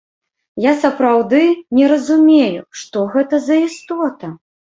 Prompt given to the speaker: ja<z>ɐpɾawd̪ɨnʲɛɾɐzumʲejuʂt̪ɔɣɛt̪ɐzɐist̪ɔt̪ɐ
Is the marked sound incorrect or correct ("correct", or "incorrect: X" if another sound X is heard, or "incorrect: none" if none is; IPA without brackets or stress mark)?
incorrect: s